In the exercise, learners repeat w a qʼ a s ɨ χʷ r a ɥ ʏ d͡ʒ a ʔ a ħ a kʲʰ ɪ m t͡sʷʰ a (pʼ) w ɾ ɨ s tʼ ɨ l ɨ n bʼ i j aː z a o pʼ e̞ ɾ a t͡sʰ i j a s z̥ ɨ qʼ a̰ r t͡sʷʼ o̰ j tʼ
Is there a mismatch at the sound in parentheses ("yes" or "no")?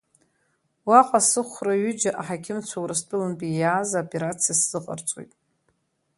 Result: yes